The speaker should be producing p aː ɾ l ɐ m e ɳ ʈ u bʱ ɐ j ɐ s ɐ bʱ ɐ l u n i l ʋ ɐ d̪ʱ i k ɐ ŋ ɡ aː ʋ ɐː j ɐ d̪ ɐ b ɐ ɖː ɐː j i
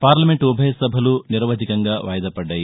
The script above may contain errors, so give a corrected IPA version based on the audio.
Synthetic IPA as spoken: p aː ɾ l ɐ m e ɳ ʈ u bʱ ɐ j ɐ s ɐ bʱ ɐ l u n i ɾ ʋ ɐ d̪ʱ i k ɐ ŋ ɡ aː ʋ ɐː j ɐ d̪ ɐ p ɐ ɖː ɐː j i

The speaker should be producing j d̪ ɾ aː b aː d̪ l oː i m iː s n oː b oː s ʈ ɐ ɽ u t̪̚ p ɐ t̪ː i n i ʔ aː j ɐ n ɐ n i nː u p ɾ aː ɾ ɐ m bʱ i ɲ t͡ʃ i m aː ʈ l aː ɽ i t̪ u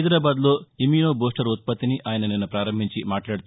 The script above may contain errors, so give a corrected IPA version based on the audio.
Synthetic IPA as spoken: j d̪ ɾ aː b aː d̪ l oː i m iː n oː b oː s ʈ ɐ ɾ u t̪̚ p ɐ t̪ː i n i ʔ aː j ɐ n ɐ n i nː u p ɾ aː ɾ ɐ m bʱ i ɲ t͡ʃ i m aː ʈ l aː ɽ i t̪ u

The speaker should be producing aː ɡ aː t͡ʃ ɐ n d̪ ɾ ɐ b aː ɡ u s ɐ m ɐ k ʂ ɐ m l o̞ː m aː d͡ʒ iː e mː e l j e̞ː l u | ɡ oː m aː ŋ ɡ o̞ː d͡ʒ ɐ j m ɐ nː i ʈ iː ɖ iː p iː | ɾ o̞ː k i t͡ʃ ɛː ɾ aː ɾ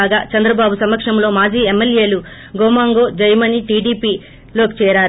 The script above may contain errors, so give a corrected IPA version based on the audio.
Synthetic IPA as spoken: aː ɡ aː t͡ʃ ɐ n d̪ ɾ ɐ b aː b u s ɐ m ɐ k ʂ ɐ m l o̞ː m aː d͡ʒ iː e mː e l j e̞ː l u | ɡ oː m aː ŋ ɡ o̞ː d͡ʒ ɐ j m ɐ n i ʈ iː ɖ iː p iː | l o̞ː k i t͡ʃ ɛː ɾ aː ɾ

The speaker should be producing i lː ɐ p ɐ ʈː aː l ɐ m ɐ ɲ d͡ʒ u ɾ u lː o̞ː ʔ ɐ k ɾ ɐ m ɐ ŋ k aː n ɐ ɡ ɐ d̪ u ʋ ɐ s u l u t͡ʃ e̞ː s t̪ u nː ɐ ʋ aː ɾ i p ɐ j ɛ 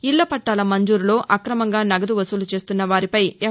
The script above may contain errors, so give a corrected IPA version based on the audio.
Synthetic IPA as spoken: i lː ɐ p ɐ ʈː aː l ɐ m ɐ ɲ d͡ʒ uː ɾ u l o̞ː ʔ ɐ k ɾ ɐ m ɐ ŋ ɡ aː n ɐ ɡ ɐ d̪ u ʋ ɐ s u l u t͡ʃ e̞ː s t̪ u nː ɐ ʋ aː ɾ i p ɐ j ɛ

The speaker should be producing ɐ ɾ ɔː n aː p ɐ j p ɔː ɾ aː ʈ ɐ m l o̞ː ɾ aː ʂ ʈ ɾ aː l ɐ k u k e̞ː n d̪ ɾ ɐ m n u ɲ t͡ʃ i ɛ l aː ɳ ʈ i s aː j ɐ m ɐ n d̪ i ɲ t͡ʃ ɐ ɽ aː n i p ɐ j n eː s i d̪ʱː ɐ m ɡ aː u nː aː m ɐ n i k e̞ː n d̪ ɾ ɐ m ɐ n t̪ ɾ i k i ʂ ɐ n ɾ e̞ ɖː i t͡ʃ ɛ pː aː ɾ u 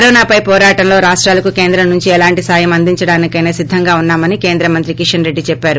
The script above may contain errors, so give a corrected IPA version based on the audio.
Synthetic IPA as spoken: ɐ ɾ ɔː n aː p ɐ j p ɔː ɾ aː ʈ ɐ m l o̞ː ɾ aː ʂ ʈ ɾ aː l ɐ k u k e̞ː n d̪ ɾ ɐ m n u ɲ t͡ʃ i ɛ l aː ɳ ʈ i s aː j ɐ m ɐ n d̪ i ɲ t͡ʃ ɐ ɽ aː n i k ɐ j n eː s i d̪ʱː ɐ ŋ ɡ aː u nː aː m ɐ n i k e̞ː n d̪ ɾ ɐ m ɐ n t̪ ɾ i k i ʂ ɐ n ɾ e̞ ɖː i t͡ʃ ɛ pː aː ɾ u

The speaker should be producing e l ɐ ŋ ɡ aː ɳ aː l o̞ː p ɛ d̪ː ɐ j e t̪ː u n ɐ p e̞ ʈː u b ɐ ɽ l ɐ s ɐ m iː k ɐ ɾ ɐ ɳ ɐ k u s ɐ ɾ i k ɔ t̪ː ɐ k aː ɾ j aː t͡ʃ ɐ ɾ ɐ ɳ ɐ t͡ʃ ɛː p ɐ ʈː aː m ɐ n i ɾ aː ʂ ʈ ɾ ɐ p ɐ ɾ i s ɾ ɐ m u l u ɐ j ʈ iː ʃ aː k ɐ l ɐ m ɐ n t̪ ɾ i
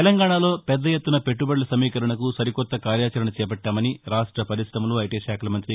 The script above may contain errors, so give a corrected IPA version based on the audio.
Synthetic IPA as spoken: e l ɐ ŋ ɡ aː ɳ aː l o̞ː p ɛ d̪ː ɐ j e t̪ː u n ɐ p e̞ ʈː u b ɐ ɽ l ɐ s ɐ m iː k ɐ ɾ ɐ ɳ ɐ k u s ɐ ɾ i k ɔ t̪ː ɐ k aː ɾ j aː t͡ʃ ɐ ɾ ɐ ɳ ɐ t͡ʃ ɛː p ɐ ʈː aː m ɐ n i ɾ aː ʂ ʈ ɾ ɐ p ɐ ɾ i s ɾ ɐ m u l u ɐ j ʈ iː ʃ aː k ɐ l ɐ m ɐ n t̪ ɾ i

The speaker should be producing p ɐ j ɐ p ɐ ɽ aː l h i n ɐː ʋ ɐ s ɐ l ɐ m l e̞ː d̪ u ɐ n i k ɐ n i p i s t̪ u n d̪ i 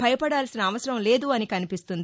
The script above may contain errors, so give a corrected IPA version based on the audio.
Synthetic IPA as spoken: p ɐ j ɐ p ɐ ɽ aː l s i n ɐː ʋ ɐ s ɐ ɾ ɐ m l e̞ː d̪ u ɐ n i k ɐ n i p i s t̪ u n d̪ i

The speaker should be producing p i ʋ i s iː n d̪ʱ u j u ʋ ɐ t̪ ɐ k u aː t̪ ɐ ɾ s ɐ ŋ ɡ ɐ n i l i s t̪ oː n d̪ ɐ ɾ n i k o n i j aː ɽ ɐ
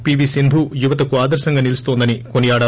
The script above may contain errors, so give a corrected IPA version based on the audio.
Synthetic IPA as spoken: p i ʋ i s i n d̪ʱ u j u ʋ ɐ t̪ ɐ k u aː d̪ ɐ ɾ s ɐ ŋ ɡ ɐ n i l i s t̪ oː n d̪ ɐ n i k o n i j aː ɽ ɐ

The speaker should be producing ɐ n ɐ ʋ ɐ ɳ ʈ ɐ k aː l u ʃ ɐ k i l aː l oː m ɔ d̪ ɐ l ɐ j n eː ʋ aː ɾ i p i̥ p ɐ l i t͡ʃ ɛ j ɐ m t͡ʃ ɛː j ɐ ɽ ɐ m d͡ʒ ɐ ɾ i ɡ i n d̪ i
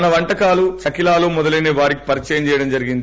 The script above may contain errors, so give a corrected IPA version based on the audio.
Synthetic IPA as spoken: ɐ n ɐ ʋ ɐ ɳ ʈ ɐ k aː l u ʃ ɐ k i l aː l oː m ɔ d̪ ɐ l ɐ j n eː ʋ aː ɾ i k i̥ p ɐ ɾ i t͡ʃ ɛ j ɐ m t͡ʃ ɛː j ɐ ɽ ɐ m d͡ʒ ɐ ɾ i ɡ i n d̪ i

